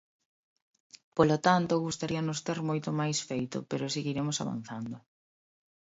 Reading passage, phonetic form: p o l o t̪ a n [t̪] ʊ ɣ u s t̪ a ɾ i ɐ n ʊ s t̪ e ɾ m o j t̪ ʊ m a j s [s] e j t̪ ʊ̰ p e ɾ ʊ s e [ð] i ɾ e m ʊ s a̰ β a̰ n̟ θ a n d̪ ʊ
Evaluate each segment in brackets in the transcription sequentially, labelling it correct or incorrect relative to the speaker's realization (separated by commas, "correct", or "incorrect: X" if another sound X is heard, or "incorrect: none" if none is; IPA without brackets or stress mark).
correct, incorrect: f, incorrect: ɣ